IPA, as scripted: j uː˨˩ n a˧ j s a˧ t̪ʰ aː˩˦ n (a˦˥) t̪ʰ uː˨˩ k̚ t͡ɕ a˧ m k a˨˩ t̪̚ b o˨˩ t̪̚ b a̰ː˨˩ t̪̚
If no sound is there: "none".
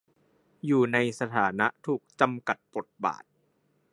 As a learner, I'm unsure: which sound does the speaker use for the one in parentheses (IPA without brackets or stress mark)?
a˦˥